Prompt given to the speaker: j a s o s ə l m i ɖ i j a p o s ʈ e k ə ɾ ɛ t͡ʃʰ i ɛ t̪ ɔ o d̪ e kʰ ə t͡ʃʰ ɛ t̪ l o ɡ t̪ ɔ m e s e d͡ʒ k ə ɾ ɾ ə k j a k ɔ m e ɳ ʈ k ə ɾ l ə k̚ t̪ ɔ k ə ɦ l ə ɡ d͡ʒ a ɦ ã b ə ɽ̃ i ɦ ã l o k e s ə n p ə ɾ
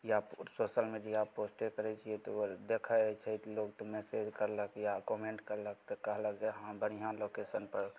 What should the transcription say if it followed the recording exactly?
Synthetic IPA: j a s o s ə l m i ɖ i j a p o s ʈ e k ə ɾ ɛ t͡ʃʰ i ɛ t̪ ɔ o d̪ e kʰ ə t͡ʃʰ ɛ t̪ l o ɡ t̪ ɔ m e s e d͡ʒ k ə ɾ l ə k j a k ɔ m e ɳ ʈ k ə ɾ l ə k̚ t̪ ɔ k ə ɦ l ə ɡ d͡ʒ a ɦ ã b ə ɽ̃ i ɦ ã l o k e s ə n p ə ɾ

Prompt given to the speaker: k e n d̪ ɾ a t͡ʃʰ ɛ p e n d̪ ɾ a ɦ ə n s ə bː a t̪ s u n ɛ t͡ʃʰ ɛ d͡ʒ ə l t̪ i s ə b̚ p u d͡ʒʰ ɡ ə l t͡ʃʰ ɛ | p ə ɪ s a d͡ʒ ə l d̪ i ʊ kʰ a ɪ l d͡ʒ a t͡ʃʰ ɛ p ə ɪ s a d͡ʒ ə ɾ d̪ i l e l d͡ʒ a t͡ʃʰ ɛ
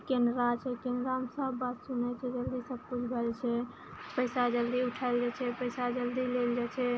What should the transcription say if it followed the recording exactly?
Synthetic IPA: k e n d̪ ɾ a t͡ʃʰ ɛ k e n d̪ ɾ a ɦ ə m s ə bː a t̪ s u n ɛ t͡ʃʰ ɛ d͡ʒ ə l d̪ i s ə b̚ k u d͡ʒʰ ɡ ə l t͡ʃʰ ɛ | p ə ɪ s a d͡ʒ ə l d̪ i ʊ ʈʰ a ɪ l d͡ʒ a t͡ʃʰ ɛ p ə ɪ s a d͡ʒ ə l d̪ i l e l d͡ʒ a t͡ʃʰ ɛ

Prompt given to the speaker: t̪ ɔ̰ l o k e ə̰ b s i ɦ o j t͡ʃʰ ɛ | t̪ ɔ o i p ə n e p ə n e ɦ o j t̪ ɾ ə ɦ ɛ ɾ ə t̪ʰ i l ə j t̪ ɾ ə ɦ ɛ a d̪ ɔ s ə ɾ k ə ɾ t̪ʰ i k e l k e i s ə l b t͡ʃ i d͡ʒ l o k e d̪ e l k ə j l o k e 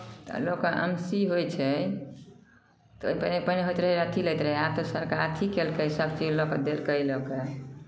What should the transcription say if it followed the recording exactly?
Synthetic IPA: t̪ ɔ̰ l o k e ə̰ m s i ɦ o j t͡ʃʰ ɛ | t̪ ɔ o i p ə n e p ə n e ɦ o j t̪ ɾ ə ɦ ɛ ɾ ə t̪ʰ i l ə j t̪ ɾ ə ɦ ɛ a t̪ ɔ s ə ɾ k a ɾ t̪ʰ i k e l k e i s ə b t͡ʃ i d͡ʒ l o k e d̪ e l k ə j l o k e

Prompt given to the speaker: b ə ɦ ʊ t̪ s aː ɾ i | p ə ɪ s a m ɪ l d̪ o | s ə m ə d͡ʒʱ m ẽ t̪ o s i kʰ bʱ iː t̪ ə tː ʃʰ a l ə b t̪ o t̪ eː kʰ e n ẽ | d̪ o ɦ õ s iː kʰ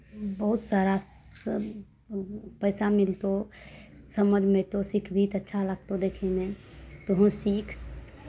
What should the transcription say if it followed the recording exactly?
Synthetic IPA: b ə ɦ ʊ t̪ s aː ɾ a | p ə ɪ s a m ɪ l t̪ o | s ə m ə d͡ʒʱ m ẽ t̪ o s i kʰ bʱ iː t̪ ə tː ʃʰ a l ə ɡ t̪ o d̪ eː kʰ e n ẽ | t̪ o ɦ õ s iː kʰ

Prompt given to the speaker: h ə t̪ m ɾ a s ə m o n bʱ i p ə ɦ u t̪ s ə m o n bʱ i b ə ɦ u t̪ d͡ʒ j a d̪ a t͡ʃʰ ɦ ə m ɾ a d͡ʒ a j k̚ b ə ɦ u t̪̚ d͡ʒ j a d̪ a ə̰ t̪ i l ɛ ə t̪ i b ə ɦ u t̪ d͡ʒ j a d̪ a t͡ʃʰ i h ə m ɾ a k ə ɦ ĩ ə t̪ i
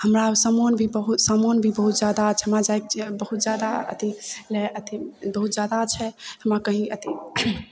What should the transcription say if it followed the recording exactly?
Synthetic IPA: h ə m ɾ a s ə m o n bʱ i b ə ɦ u t̪ s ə m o n bʱ i b ə ɦ u t̪ d͡ʒ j a d̪ a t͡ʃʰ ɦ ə m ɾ a d͡ʒ a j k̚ b ə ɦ u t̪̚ d͡ʒ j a d̪ a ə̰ t̪ i l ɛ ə t̪ i b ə ɦ u t̪ d͡ʒ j a d̪ a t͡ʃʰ ɛ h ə m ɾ a k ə ɦ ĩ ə t̪ i

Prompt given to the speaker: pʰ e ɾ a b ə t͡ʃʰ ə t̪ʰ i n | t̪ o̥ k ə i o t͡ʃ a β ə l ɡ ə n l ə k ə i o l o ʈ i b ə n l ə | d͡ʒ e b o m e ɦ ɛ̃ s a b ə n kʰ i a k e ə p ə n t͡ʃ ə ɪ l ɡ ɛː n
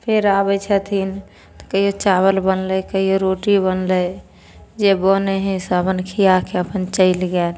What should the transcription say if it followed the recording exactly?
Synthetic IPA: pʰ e ɾ a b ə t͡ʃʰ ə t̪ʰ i n | t̪ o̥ k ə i o t͡ʃ a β ə l b ə n l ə k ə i o ɾ o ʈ i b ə n l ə | d͡ʒ e b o n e ɦ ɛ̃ s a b ə n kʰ i a k e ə p ə n t͡ʃ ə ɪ l ɡ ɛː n

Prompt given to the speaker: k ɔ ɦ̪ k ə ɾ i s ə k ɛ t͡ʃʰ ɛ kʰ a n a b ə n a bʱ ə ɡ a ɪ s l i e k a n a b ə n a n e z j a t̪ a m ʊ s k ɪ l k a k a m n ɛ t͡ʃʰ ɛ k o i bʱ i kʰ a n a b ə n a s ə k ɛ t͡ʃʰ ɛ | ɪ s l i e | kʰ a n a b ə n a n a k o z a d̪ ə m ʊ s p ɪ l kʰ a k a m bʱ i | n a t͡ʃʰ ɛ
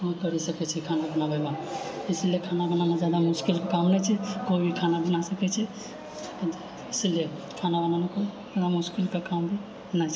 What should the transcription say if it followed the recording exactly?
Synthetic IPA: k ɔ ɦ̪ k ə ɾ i s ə k ɛ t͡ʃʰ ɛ kʰ a n a b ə n a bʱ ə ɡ a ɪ s l i e kʰ a n a b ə n a n a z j a d̪ a m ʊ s k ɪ l k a k a m n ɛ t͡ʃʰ ɛ k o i bʱ i kʰ a n a b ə n a s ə k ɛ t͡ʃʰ ɛ | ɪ s l i e | kʰ a n a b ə n a n a k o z a d̪ a m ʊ s k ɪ l k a k a m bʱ i | n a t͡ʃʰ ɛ

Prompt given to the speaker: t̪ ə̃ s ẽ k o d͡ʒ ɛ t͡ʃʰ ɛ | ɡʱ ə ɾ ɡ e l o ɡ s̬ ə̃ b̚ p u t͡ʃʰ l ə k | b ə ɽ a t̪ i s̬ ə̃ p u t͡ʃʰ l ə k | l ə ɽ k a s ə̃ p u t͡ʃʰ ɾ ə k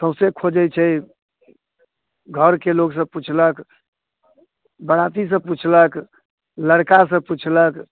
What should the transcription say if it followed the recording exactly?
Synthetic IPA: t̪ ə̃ s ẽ kʰ o d͡ʒ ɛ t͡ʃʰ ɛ | ɡʱ ə ɾ k e l o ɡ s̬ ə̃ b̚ p u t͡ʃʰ l ə k | b ə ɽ a t̪ i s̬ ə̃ p u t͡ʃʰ l ə k | l ə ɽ k a s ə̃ p u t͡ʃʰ l ə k

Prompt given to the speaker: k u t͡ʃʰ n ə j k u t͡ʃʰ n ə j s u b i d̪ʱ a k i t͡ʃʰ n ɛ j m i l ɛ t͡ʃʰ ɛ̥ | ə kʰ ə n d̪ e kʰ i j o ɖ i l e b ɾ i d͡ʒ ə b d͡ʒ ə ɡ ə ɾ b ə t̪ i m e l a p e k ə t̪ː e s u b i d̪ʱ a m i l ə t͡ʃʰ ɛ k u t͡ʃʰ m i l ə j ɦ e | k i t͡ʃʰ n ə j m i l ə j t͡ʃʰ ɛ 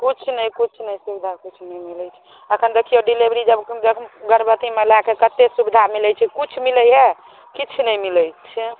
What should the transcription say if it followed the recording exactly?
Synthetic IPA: k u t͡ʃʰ n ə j k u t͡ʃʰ n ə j s u b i d̪ʱ a k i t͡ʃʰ n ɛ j m i l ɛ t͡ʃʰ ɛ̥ | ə kʰ ə n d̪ e kʰ i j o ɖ i l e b ɾ i d͡ʒ ə b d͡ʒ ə ɡ ə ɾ b ə t̪ i m e l a k e k ə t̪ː e s u b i d̪ʱ a m i l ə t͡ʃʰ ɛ k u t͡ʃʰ m i l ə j ɦ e | k i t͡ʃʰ n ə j m i l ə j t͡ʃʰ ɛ

